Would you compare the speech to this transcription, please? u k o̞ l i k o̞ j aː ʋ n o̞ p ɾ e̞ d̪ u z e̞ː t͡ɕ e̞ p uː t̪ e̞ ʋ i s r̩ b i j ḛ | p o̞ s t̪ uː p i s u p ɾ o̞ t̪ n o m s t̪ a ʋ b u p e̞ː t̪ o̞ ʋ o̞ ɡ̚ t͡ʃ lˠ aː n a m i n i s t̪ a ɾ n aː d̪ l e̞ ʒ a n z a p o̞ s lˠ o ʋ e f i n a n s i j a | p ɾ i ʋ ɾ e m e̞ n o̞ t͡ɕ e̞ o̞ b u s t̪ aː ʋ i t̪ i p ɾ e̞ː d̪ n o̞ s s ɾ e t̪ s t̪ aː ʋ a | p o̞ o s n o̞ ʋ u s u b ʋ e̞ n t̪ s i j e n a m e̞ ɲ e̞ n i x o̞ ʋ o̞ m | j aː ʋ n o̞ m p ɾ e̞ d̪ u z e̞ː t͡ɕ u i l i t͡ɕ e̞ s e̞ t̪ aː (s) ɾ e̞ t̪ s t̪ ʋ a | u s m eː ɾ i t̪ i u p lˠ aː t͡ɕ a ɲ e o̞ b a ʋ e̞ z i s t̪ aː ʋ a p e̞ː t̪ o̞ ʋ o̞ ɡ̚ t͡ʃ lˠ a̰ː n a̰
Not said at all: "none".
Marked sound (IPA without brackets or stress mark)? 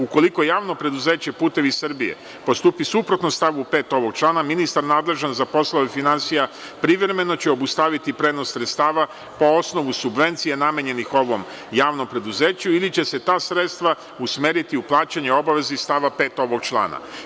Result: s